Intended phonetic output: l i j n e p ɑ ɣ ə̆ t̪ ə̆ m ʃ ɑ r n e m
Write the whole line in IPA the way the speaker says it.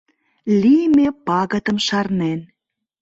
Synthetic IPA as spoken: l i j m e p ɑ ɣ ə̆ t̪ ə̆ m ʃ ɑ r n e n